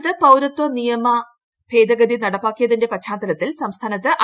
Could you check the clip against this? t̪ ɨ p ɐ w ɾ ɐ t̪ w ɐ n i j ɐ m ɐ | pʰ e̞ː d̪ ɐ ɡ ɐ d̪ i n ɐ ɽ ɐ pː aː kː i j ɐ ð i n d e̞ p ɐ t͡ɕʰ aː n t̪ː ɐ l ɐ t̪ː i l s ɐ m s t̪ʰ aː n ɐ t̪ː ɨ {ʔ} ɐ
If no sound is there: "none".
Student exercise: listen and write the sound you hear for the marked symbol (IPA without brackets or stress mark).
ʔ